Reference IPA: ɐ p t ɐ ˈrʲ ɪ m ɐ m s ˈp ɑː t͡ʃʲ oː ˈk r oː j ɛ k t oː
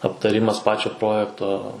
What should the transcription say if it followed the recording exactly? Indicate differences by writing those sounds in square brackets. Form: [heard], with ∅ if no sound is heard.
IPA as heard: ɐ p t ɐ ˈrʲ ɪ m ɐ [∅] s ˈp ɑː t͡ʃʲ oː [ˈp] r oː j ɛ k t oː